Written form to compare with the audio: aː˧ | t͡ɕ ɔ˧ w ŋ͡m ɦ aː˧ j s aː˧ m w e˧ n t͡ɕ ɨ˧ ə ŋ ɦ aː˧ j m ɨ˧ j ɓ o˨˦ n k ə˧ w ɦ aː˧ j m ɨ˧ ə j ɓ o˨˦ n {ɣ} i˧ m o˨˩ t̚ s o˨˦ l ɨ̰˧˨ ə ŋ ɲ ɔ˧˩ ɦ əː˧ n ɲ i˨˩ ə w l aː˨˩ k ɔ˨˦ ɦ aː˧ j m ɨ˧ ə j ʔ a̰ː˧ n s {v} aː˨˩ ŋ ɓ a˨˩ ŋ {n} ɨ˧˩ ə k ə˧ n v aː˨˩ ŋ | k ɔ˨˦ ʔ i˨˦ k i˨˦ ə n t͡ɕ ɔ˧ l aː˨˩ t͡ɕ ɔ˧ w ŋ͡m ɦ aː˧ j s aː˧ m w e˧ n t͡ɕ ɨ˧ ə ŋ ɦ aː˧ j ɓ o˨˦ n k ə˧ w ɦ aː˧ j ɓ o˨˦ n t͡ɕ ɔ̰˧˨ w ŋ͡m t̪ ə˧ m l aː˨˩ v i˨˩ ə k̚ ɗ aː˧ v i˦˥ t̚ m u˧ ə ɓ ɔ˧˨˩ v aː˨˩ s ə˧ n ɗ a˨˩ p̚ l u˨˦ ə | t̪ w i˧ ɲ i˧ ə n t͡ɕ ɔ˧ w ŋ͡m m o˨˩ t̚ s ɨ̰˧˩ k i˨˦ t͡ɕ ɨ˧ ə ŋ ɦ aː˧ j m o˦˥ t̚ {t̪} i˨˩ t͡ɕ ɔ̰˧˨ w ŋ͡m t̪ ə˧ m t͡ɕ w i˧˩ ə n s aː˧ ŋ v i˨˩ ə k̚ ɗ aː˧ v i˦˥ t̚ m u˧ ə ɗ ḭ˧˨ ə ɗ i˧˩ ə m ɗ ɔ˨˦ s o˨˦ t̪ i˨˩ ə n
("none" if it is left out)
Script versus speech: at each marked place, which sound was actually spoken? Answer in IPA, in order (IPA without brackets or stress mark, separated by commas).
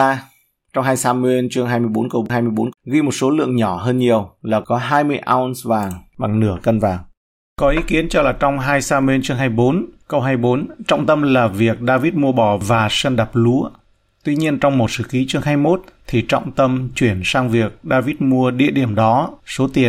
ɣ, v, n, t̪ʰ